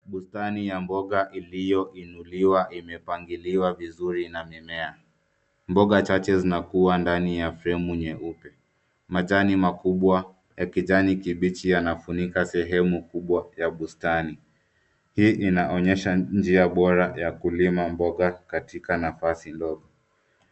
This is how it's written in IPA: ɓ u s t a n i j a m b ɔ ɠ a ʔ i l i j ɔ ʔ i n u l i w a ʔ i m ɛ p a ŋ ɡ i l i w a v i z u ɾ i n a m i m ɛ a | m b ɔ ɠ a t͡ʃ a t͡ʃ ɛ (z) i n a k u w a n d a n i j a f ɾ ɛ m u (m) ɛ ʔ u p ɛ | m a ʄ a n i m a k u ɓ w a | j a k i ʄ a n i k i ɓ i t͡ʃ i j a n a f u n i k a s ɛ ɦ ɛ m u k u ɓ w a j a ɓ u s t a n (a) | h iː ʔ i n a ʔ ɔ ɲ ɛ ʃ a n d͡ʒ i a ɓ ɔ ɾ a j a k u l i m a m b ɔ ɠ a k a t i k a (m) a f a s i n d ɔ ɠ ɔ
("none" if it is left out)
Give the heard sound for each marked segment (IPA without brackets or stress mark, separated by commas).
z, ɲ, i, n